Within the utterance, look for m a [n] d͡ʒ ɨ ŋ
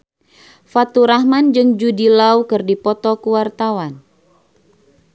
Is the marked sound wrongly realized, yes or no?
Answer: no